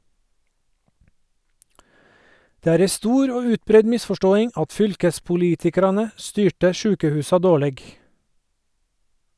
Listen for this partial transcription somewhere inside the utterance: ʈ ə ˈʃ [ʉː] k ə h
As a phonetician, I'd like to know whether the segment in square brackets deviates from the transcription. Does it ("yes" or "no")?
no